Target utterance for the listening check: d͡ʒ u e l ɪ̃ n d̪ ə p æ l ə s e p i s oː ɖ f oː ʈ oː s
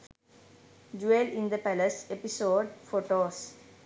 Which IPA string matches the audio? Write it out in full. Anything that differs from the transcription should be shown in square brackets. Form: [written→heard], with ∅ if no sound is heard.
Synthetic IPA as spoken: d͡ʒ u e l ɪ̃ n d̪ ə p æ l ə s e p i s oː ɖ f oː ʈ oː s

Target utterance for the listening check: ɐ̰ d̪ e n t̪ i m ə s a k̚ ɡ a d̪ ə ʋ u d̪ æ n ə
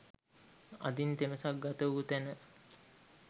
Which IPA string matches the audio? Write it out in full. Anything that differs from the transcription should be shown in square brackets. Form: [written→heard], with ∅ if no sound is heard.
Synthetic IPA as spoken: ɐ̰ d̪ [e→i] n t̪ [i→e] m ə s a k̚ ɡ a [d̪→t̪] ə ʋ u [d̪→t̪] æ n ə

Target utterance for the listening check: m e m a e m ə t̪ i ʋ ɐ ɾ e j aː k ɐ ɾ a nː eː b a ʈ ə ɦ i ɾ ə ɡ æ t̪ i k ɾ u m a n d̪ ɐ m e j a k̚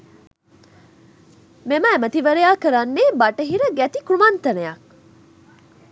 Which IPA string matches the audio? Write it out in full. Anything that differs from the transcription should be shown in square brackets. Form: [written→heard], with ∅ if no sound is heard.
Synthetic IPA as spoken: m e m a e m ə t̪ i ʋ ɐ ɾ e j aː k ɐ ɾ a nː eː b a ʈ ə ɦ i ɾ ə ɡ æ t̪ i k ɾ u m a n [d̪→t̪] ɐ [m→n] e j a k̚

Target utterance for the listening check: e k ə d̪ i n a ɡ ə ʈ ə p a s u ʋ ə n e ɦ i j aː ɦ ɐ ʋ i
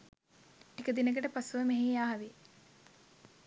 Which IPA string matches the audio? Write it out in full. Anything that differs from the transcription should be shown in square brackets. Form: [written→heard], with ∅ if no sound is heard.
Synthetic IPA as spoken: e k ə d̪ i n [a→ə] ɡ ə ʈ ə p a s u ʋ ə [n→m] e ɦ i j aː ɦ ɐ ʋ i

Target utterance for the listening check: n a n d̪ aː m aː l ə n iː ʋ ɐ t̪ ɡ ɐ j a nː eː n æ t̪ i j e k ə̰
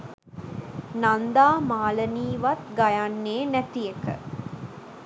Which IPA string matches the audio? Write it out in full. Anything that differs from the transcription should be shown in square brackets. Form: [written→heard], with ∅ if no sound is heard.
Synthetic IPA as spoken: n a n d̪ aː m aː l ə n iː ʋ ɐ t̪ ɡ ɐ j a nː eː n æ t̪ i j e k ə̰

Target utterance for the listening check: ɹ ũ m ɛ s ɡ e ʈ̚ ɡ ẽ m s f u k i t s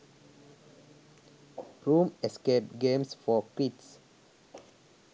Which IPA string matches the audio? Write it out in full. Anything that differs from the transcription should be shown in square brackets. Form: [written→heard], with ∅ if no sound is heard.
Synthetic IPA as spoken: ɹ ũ m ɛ s [ɡ→k] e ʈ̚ ɡ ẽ m s f [u→ɔ] k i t s

